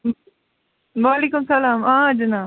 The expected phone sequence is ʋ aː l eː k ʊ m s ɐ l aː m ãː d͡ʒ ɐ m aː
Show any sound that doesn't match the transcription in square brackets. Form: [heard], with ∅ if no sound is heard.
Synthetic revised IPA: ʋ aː l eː k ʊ m s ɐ l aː m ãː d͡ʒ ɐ [n] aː